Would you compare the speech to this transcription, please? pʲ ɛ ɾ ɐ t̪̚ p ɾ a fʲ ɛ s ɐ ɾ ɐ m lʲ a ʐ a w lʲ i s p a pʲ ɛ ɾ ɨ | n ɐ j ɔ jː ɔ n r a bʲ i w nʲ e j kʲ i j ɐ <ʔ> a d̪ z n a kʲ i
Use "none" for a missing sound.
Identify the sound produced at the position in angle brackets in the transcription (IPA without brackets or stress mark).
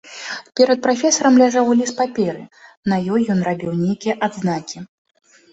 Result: ʔ